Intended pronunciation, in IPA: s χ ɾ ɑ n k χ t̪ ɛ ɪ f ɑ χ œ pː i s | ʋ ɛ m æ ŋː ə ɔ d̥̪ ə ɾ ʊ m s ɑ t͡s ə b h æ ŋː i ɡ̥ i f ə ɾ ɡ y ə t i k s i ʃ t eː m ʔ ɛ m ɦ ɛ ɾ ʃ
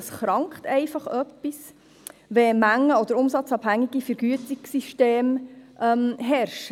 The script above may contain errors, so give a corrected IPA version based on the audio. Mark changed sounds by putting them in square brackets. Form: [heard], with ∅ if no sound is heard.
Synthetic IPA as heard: s χ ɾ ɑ [ŋ] k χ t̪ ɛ ɪ f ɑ χ œ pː i s | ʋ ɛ m æ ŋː ə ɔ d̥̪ ə ɾ ʊ m s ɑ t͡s [ɑ] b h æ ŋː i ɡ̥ i f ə ɾ ɡ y ə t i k s i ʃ t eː m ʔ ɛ m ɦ ɛ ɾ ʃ